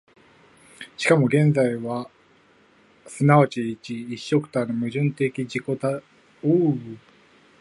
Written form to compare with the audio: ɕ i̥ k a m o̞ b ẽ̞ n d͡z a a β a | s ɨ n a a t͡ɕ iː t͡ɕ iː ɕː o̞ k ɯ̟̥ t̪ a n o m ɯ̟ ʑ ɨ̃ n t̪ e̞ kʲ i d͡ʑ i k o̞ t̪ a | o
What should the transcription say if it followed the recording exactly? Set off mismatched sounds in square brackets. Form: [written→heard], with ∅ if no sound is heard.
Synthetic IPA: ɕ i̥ k a m o̞ [b→ɡ] ẽ̞ n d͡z a [a→i] β a | s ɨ n a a t͡ɕ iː t͡ɕ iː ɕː o̞ k ɯ̟̥ t̪ a n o m ɯ̟ ʑ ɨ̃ n t̪ e̞ kʲ i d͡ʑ i k o̞ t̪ a | o